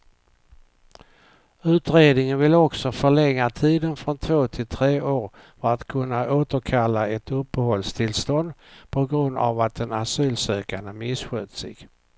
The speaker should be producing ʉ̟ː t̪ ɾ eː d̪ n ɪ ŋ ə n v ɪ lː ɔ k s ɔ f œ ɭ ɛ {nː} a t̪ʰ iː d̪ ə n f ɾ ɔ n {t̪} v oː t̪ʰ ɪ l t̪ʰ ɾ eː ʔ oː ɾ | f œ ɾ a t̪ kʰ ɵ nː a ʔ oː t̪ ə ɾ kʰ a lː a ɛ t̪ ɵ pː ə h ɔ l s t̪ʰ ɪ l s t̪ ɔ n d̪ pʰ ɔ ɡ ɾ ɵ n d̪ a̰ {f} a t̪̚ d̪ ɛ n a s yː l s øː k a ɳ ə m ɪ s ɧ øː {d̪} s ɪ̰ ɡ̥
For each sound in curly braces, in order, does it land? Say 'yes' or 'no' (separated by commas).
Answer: no, no, no, no